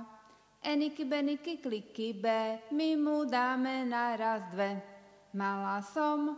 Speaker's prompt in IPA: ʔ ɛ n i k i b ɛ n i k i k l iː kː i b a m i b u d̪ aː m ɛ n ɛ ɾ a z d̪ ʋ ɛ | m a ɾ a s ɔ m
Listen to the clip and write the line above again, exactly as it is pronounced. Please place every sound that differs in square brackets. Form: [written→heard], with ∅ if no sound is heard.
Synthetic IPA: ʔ ɛ n i k i b ɛ n i k i k l [iː→i] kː i b [a→ɛ] m i [b→m] u d̪ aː m ɛ n [ɛ→a] ɾ a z d̪ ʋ ɛ | m a [ɾ→l] a s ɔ m